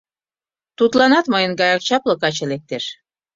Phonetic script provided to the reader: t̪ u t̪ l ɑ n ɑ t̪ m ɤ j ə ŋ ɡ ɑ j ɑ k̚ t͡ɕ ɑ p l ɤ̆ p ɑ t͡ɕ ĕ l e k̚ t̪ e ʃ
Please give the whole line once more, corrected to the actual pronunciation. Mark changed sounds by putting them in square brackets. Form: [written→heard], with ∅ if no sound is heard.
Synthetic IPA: t̪ u t̪ l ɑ n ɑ t̪ m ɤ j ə [ŋ→n] ɡ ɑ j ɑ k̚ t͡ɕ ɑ p l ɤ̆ [p→k] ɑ t͡ɕ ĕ l e k̚ t̪ e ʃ